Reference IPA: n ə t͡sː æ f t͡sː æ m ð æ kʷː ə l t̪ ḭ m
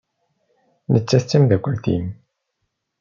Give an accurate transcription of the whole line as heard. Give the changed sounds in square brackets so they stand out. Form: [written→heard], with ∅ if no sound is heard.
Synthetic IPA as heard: n ə t͡sː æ [f→θ] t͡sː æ m ð æ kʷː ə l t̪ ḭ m